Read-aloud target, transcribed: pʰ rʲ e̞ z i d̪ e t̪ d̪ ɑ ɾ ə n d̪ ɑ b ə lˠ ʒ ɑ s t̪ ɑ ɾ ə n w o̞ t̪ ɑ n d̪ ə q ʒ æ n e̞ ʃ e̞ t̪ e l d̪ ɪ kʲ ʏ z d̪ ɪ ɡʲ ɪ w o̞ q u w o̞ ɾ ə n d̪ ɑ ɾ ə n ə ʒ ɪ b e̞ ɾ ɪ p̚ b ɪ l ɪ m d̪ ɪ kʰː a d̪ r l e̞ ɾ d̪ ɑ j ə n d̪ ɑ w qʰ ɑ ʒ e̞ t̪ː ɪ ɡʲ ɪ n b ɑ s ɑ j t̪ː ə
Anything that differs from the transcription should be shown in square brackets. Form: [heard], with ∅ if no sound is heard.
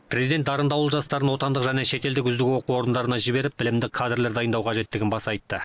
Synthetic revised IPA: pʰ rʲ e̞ z i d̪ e t̪ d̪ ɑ ɾ ə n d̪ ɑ [w] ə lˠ ʒ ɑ s t̪ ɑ ɾ ə n w o̞ t̪ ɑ n d̪ ə q ʒ æ n e̞ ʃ e̞ t̪ e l d̪ ɪ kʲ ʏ z d̪ ɪ ɡʲ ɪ w o̞ q u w o̞ ɾ ə n d̪ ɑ ɾ ə n [ɑ] ʒ ɪ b e̞ ɾ ɪ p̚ b ɪ l ɪ m d̪ ɪ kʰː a d̪ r l e̞ ɾ d̪ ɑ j ə n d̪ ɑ w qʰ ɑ ʒ e̞ t̪ː ɪ ɡʲ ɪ n b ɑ s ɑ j t̪ː ə